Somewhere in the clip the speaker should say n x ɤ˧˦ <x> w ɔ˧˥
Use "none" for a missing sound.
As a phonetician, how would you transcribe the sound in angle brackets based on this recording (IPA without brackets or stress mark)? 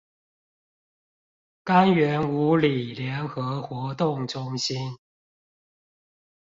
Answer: x